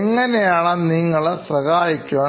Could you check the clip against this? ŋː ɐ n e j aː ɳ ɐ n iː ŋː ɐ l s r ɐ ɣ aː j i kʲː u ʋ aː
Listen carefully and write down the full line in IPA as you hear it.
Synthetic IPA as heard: ŋː ɐ n e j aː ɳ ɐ n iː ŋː ɐ ɭ s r ɐ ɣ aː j i kʲː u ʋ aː

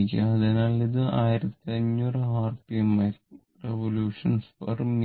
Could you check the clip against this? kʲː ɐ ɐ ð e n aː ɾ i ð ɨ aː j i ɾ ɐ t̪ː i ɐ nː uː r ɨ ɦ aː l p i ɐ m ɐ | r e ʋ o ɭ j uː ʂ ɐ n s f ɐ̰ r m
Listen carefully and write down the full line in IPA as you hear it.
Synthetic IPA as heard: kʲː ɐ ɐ ð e n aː l i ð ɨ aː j i ɾ ɐ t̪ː i ɐ ɲː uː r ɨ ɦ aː r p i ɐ m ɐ | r e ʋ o l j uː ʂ ɐ n s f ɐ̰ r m

